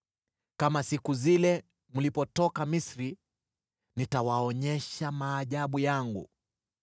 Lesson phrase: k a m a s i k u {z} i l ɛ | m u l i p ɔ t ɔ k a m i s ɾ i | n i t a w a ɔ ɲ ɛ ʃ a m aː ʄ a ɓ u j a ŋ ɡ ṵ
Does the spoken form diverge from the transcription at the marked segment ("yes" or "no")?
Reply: no